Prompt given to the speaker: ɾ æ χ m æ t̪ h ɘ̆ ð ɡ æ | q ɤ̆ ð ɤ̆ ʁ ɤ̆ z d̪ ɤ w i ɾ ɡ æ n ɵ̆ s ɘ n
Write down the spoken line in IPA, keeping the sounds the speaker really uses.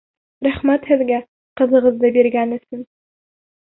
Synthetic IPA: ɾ æ χ m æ t̪ h ɘ̆ ð ɡ æ | q ɤ̆ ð ɤ̆ ʁ ɤ̆ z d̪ ɤ b i ɾ ɡ æ n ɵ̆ s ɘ n